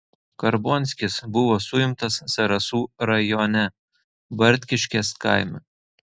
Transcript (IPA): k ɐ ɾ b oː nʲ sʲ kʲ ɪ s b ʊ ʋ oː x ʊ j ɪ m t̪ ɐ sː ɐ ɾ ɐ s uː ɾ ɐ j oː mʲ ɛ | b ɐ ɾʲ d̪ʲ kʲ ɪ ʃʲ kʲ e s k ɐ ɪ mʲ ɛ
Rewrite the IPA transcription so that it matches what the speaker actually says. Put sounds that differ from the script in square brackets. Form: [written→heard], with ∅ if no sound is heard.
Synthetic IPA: k ɐ ɾ b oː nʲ sʲ kʲ ɪ s b ʊ ʋ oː [x→s] ʊ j ɪ m t̪ ɐ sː ɐ ɾ ɐ s uː ɾ ɐ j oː [mʲ→nʲ] ɛ | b ɐ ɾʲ [d̪ʲ→t̪ʲ] kʲ ɪ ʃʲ kʲ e s k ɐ ɪ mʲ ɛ

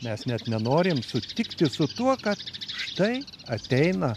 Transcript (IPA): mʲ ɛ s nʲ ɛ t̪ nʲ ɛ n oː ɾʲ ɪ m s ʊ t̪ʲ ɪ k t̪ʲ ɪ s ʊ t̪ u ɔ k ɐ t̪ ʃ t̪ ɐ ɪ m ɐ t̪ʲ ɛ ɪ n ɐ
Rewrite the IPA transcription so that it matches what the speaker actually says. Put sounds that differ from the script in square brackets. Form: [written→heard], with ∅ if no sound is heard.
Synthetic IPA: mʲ ɛ s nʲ ɛ t̪ nʲ ɛ n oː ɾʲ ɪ m s ʊ t̪ʲ ɪ k t̪ʲ ɪ s ʊ t̪ u ɔ k ɐ t̪ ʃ t̪ ɐ ɪ [m→∅] ɐ t̪ʲ ɛ ɪ n ɐ

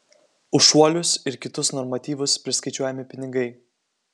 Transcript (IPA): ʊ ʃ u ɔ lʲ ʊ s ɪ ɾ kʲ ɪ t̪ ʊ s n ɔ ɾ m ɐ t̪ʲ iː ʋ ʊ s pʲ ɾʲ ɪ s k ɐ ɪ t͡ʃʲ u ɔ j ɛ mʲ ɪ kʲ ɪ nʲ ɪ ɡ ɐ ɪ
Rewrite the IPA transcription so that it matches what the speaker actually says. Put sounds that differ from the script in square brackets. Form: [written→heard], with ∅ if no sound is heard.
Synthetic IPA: ʊ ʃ u ɔ lʲ ʊ s ɪ ɾ kʲ ɪ t̪ ʊ s n ɔ ɾ m ɐ t̪ʲ iː ʋ ʊ s pʲ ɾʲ ɪ s k ɐ ɪ t͡ʃʲ u ɔ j ɛ mʲ ɪ [kʲ→pʲ] ɪ nʲ ɪ ɡ ɐ ɪ

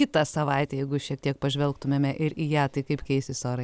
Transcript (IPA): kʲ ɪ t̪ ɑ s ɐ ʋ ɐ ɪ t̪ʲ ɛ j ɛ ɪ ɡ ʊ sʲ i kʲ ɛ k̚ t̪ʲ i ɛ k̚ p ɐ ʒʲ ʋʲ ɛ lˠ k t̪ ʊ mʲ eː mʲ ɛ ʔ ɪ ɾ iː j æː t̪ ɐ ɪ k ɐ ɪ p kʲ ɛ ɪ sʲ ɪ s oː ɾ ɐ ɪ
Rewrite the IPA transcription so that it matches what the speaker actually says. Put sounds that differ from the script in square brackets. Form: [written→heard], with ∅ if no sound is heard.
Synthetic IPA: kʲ ɪ t̪ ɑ s ɐ ʋ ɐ ɪ t̪ʲ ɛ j ɛ ɪ ɡ ʊ [sʲ→ʃʲ] i [kʲ→∅] ɛ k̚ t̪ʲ i ɛ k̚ p ɐ ʒʲ ʋʲ ɛ lˠ k t̪ ʊ mʲ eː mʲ ɛ ʔ ɪ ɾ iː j æː t̪ ɐ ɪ k ɐ ɪ p kʲ ɛ ɪ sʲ ɪ s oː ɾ ɐ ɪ

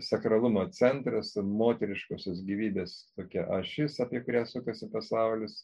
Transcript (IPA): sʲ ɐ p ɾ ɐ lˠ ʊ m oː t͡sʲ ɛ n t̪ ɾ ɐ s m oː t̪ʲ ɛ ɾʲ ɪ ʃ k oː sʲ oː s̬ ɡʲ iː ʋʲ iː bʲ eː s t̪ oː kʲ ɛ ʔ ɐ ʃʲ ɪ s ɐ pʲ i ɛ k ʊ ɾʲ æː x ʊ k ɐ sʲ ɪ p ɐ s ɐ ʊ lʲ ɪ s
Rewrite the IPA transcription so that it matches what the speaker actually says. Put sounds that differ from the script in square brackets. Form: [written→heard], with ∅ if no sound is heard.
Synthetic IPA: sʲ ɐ [p→k] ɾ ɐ lˠ ʊ m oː t͡sʲ ɛ n t̪ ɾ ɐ s m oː t̪ʲ ɛ ɾʲ ɪ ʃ k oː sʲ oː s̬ ɡʲ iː ʋʲ iː bʲ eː s t̪ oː kʲ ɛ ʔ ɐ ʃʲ ɪ s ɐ pʲ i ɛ k ʊ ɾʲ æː [x→s] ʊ k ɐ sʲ ɪ p ɐ s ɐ ʊ lʲ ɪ s

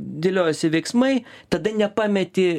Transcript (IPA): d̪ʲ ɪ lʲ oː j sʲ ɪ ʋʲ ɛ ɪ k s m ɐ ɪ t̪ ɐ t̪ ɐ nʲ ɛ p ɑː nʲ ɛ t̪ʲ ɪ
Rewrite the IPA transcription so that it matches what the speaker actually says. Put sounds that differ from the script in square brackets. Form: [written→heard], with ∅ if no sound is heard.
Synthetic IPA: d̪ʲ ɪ lʲ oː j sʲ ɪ ʋʲ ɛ ɪ k s m ɐ ɪ t̪ ɐ [t̪→d̪] ɐ nʲ ɛ p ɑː [nʲ→mʲ] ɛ t̪ʲ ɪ

